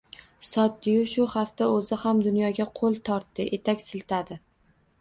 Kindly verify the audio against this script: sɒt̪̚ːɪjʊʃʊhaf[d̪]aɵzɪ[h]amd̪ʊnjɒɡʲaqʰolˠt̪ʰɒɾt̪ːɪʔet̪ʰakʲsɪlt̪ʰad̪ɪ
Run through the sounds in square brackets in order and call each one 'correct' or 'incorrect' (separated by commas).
incorrect, correct